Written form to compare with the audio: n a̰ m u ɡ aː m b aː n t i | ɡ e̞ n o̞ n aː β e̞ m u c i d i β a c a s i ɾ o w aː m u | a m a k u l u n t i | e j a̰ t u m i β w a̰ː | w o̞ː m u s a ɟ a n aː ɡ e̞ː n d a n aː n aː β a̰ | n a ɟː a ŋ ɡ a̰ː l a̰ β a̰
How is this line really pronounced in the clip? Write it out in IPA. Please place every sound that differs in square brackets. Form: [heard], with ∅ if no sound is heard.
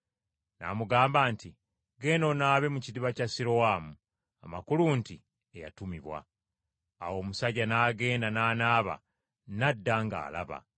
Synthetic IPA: n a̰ m u ɡ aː m b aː n t i | ɡ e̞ n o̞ n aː β e̞ m u c i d i β a c a s i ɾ o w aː m u | a m a k u l u n t i | e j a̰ t u m i β w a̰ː | w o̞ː m u s a ɟ a n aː ɡ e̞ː n d a n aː n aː β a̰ | n a [dː] a ŋ ɡ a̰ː l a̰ β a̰